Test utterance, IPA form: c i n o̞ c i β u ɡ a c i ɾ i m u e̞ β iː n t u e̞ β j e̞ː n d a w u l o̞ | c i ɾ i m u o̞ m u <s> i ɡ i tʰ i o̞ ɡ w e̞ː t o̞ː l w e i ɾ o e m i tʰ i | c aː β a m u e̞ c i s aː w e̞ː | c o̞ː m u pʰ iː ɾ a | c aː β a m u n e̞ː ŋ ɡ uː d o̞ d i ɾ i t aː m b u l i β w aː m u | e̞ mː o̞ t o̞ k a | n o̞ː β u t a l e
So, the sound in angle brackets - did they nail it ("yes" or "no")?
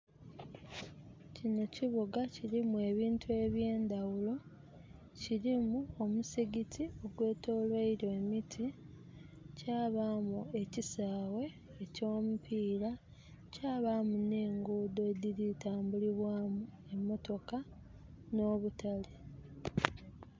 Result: yes